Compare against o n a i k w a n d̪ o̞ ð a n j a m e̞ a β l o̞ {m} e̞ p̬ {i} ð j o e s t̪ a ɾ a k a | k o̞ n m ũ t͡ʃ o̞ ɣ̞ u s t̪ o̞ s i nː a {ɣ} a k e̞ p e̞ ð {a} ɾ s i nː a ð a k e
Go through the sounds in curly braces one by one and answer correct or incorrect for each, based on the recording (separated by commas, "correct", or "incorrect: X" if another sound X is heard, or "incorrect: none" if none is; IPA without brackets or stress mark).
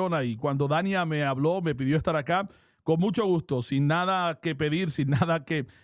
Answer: correct, correct, incorrect: ð, incorrect: i